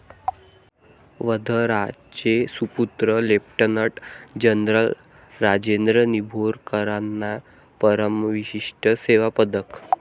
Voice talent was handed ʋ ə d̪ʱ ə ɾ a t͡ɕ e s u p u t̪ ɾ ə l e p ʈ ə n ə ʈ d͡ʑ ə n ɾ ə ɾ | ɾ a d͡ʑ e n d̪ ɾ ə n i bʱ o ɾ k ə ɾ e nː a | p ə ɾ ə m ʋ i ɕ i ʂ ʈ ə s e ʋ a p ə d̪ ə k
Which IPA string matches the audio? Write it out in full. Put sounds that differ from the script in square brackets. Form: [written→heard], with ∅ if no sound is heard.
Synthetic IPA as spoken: ʋ ə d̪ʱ ə ɾ a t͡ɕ e s u p u t̪ ɾ ə l e p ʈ ə n ə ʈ d͡ʑ ə n ɾ ə [ɾ→l] | ɾ a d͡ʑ e n d̪ ɾ ə n i bʱ o ɾ k ə ɾ [e→a] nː a | p ə ɾ ə m ʋ i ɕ i ʂ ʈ ə s e ʋ a p ə d̪ ə k